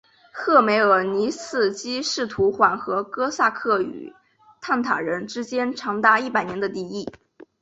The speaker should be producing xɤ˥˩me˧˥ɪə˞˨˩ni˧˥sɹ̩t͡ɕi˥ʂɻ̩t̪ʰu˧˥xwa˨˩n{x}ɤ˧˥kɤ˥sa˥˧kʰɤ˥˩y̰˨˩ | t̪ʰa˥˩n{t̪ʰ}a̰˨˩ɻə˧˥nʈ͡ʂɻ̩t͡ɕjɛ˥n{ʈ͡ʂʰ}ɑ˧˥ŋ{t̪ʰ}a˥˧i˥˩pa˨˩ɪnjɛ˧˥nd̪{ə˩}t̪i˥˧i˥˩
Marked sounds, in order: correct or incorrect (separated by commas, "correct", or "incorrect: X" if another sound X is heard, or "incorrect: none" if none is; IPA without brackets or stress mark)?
correct, correct, correct, incorrect: t̪, incorrect: ə˧